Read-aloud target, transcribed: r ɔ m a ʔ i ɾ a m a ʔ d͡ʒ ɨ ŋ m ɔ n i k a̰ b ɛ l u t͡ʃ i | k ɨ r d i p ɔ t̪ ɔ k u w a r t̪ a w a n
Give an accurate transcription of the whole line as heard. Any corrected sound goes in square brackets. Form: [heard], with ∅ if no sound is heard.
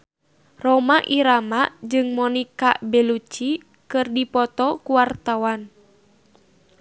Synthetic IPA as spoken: r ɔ m a ʔ i ɾ a m a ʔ d͡ʒ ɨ ŋ m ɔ n i k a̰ b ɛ l u t͡ʃ i | k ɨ r d i p ɔ t̪ ɔ k u w a r t̪ a w a n